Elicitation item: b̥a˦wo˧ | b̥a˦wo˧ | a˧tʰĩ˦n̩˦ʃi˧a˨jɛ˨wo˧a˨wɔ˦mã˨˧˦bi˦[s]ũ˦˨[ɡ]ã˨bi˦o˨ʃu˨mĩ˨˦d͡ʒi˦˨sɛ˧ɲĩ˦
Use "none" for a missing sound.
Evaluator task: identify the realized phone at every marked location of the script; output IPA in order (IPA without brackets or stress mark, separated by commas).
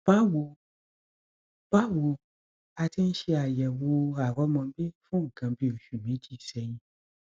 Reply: f, ɡ